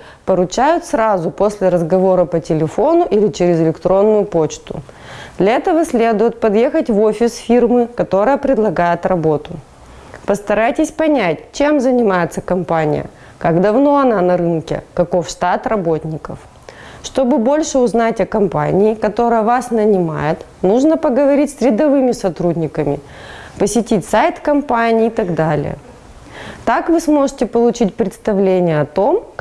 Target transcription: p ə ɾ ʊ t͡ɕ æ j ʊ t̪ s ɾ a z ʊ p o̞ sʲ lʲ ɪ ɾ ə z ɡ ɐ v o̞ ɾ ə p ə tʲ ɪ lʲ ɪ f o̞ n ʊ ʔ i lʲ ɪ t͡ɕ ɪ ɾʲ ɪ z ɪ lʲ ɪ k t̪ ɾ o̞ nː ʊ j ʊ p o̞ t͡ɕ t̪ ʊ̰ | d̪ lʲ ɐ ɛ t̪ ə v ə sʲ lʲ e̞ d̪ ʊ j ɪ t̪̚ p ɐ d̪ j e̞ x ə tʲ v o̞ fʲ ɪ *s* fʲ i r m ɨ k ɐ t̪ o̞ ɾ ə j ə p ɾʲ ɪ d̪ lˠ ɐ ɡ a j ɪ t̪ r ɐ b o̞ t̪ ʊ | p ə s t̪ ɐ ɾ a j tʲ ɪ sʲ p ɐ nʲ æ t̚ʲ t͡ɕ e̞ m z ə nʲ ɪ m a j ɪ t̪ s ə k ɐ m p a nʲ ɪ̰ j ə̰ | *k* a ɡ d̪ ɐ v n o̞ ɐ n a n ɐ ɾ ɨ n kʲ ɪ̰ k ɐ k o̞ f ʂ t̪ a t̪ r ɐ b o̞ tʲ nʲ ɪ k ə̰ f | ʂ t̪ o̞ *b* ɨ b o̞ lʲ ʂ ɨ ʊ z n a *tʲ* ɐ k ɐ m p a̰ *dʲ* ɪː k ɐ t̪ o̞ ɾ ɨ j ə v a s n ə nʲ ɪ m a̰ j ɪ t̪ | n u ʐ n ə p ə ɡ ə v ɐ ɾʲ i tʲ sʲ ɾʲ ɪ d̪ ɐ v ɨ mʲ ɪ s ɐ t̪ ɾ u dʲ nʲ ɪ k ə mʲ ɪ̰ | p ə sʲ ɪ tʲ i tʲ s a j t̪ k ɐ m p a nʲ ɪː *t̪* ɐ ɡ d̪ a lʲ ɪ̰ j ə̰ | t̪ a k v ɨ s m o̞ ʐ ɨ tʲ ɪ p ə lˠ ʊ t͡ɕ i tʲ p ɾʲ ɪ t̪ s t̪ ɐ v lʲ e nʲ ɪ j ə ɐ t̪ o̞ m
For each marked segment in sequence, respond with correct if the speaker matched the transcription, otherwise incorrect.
correct, correct, correct, correct, incorrect: nʲ, correct

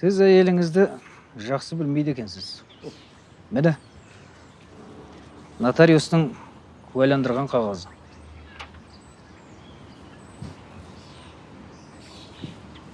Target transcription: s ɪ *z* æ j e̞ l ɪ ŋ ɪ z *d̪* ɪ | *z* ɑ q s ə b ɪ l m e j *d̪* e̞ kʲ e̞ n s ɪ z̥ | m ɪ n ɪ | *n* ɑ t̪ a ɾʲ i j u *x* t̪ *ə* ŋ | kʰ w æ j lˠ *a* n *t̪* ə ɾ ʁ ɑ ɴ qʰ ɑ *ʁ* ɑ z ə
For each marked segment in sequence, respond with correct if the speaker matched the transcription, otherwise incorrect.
correct, correct, incorrect: ʒ, correct, correct, incorrect: s, correct, incorrect: ɑ, incorrect: d̪, correct

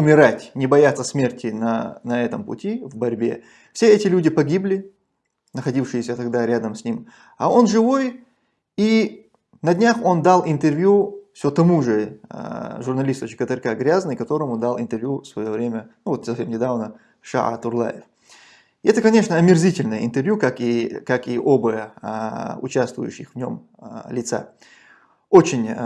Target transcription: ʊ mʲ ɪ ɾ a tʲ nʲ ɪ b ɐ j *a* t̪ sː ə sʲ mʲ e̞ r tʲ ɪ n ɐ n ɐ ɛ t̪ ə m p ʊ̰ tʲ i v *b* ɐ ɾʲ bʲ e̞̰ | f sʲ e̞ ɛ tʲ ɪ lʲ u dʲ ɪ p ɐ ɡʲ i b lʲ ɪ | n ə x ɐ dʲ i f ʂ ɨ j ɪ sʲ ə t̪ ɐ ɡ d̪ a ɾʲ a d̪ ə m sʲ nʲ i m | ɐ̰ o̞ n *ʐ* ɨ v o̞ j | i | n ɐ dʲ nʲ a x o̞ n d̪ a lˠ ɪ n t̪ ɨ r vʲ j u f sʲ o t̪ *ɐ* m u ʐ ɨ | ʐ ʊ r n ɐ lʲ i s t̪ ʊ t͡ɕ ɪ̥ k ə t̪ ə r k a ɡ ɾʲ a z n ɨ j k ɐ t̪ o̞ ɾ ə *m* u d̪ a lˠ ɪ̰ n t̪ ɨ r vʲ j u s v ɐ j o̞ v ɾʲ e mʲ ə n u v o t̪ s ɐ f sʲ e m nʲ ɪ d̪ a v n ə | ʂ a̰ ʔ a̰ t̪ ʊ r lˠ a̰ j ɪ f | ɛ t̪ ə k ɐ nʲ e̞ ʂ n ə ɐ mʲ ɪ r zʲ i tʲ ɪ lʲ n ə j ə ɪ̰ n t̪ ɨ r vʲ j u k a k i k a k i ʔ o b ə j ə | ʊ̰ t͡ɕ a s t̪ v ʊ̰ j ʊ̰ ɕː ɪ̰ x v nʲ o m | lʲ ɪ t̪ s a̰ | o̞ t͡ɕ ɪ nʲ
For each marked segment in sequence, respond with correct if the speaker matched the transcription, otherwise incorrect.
correct, correct, correct, correct, correct

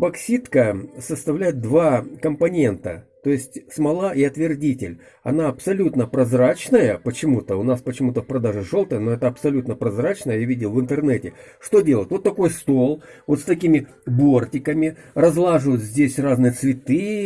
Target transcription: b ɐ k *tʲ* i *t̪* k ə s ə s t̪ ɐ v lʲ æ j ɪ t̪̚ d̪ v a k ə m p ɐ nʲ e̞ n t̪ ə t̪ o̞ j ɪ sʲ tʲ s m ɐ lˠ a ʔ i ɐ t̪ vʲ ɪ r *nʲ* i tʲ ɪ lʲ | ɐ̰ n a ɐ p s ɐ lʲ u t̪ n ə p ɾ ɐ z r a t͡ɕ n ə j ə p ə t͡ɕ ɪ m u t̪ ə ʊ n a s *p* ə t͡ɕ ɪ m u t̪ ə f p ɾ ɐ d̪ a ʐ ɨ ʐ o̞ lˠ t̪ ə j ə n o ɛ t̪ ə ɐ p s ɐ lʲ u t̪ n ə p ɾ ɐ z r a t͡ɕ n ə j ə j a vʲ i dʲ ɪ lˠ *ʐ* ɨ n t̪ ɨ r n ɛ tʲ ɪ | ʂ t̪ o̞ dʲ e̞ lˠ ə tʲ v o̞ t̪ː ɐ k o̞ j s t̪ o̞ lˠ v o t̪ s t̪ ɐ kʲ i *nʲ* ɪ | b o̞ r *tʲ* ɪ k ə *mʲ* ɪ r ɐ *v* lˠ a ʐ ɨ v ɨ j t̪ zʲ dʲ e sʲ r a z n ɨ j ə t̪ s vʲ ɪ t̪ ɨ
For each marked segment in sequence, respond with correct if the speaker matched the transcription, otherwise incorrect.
incorrect: sʲ, correct, incorrect: dʲ, correct, incorrect: v, incorrect: mʲ, correct, correct, incorrect: z

